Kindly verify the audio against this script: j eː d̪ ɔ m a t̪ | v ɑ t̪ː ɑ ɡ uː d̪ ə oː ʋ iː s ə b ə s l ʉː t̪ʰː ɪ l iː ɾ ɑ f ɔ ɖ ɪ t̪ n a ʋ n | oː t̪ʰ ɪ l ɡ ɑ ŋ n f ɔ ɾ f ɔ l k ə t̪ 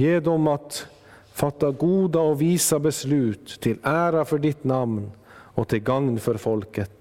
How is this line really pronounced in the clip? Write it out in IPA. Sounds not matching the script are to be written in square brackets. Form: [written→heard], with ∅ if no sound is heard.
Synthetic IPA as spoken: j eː d̪ ɔ m [a→ɑ] t̪ | [v→f] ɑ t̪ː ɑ ɡ uː d̪ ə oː ʋ iː s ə b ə s l ʉː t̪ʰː ɪ l [iː→æː] ɾ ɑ f ɔ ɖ ɪ t̪ n [a→ɑ] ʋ n | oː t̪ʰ ɪ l ɡ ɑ ŋ n f ɔ ɾ f ɔ l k ə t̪